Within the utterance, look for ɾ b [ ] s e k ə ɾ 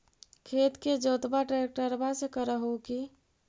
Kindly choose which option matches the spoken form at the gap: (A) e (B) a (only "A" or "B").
B